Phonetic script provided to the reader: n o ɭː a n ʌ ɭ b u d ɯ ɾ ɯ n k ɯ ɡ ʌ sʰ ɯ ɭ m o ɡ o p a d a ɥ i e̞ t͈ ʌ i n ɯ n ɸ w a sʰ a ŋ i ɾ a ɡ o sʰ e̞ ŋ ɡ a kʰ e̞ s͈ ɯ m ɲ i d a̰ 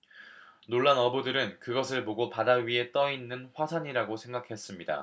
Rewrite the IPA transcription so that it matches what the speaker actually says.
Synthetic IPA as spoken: n o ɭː a n ʌ b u d ɯ ɾ ɯ n k ɯ ɡ ʌ sʰ ɯ ɭ m o ɡ o p a d a ɥ i e̞ t͈ ʌ i nː ɯ n ɸ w a sʰ a ɲ i ɾ a ɡ o sʰ e̞ ŋ ɡ a kʰ e̞ s͈ ɯ m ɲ i d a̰